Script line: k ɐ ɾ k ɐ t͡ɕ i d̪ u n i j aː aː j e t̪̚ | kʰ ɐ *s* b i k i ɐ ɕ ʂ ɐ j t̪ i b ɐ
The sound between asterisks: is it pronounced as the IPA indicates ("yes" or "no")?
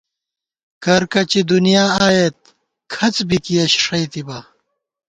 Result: no